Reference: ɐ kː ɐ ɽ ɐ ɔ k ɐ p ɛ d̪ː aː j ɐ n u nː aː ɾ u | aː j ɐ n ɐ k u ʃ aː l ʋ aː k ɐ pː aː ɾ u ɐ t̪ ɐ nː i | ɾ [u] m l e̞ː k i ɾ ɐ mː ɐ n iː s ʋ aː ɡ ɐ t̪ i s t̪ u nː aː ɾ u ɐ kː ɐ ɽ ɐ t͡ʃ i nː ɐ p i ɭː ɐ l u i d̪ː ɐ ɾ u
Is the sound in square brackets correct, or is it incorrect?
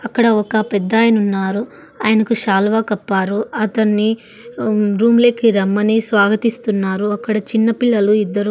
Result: incorrect